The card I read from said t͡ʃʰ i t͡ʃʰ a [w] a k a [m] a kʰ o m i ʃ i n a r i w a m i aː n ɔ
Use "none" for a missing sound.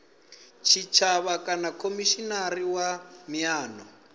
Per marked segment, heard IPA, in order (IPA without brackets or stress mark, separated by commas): β, n